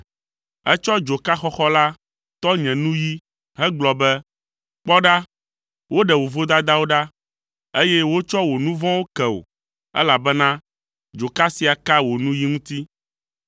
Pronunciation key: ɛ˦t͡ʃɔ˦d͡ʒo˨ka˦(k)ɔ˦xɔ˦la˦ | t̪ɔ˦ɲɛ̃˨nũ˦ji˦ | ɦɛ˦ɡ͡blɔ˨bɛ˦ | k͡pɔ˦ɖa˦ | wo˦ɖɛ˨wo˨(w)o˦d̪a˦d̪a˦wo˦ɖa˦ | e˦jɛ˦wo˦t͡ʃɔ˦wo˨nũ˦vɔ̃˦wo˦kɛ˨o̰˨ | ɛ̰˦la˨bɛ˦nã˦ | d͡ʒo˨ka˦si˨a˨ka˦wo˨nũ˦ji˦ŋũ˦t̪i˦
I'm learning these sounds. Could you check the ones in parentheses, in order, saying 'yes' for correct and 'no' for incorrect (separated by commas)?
no, no